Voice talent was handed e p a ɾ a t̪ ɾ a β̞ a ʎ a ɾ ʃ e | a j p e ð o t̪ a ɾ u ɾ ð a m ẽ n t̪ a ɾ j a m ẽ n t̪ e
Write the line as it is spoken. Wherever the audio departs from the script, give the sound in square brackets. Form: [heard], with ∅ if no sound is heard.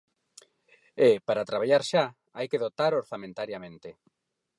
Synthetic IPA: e p a ɾ a t̪ ɾ a β̞ a ʎ a ɾ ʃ [a] | a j [k] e ð o t̪ a ɾ [o] ɾ [θ] a m ẽ n t̪ a ɾ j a m ẽ n t̪ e